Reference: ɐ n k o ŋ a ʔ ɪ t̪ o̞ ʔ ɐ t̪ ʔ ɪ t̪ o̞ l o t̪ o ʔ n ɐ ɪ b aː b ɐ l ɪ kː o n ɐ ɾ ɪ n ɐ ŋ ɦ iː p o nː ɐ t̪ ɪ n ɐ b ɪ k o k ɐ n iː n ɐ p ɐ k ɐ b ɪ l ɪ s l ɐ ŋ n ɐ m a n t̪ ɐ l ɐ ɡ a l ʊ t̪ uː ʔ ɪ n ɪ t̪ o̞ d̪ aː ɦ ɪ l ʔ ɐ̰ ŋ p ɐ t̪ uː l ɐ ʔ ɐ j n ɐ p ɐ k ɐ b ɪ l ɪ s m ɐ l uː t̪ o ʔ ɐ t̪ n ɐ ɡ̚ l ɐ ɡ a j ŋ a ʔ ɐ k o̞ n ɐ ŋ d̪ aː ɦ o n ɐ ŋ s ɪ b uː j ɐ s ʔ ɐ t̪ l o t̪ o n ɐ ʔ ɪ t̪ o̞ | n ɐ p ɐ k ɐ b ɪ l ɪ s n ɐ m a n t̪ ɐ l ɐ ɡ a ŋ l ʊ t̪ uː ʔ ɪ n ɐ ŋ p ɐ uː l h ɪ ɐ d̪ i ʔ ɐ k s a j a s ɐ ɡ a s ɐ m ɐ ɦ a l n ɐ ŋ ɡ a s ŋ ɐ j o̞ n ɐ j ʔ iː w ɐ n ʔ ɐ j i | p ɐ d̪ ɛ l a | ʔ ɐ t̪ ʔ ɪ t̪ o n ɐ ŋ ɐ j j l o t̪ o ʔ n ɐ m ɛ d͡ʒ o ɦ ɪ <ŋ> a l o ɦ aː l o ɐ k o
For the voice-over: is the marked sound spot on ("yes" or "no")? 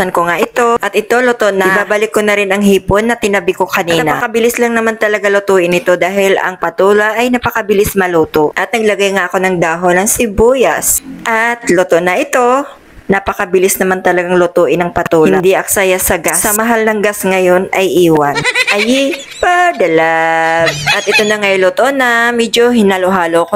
no